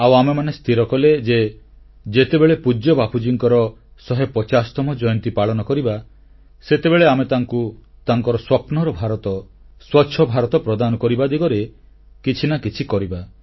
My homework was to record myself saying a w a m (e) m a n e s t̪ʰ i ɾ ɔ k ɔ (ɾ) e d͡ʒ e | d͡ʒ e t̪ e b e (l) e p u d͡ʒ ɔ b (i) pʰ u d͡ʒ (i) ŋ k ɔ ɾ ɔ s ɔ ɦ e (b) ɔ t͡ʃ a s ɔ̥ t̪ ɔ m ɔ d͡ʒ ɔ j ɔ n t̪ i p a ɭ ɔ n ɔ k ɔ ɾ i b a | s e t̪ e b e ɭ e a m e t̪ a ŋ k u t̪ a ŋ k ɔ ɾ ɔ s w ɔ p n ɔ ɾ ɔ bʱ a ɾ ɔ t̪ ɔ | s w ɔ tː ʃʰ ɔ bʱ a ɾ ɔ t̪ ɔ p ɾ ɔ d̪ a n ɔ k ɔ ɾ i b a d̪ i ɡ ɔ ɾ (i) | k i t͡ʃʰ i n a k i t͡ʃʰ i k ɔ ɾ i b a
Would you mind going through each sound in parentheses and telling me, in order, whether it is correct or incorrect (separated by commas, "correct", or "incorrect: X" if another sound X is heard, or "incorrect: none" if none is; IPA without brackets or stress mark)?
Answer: correct, incorrect: l, incorrect: ɭ, incorrect: a, correct, incorrect: p, incorrect: e